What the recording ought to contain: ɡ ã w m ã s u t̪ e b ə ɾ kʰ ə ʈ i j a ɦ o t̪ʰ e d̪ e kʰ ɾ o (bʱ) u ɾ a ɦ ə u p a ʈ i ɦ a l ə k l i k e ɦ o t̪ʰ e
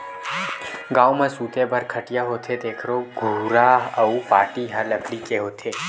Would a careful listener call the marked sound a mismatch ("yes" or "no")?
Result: yes